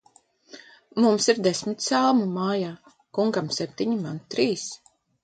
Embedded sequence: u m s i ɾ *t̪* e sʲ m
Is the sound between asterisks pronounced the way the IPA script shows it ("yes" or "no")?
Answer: no